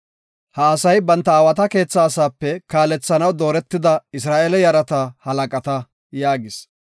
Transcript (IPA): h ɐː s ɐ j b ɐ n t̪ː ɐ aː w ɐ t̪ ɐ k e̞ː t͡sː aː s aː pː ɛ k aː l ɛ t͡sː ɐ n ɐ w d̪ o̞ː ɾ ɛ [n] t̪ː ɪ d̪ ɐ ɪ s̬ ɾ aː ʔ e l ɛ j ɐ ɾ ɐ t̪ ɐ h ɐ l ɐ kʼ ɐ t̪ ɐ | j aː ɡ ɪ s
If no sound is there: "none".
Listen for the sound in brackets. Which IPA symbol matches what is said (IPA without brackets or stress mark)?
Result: none